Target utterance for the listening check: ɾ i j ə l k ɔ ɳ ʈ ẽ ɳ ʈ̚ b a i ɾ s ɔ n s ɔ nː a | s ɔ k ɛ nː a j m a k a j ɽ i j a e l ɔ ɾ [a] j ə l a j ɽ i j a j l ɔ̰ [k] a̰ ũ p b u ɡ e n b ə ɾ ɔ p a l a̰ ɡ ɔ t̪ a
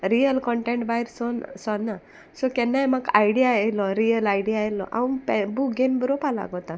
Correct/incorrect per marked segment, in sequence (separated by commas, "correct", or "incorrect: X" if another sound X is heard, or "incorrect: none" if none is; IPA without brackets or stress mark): incorrect: i, incorrect: ʔ